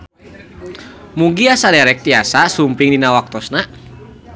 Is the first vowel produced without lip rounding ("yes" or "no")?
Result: no